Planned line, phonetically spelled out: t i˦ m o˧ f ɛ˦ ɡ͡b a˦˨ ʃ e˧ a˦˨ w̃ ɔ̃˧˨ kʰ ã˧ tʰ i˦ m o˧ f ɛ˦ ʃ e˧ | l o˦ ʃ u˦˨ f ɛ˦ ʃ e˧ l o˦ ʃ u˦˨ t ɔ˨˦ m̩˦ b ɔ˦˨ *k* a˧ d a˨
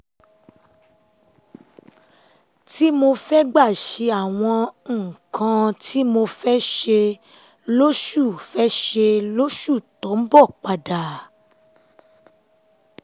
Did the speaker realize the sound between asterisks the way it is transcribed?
no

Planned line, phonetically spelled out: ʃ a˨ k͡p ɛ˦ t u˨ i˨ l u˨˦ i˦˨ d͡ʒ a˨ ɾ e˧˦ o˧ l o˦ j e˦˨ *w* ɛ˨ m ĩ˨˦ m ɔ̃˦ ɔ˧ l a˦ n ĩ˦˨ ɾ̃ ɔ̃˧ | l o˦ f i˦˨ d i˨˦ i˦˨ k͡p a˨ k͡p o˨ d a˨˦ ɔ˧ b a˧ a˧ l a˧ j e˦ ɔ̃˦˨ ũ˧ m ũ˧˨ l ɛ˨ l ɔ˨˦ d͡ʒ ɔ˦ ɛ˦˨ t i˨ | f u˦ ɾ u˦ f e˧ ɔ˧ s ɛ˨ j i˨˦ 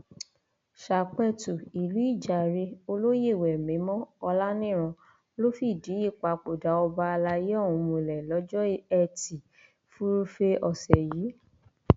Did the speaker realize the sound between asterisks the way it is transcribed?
yes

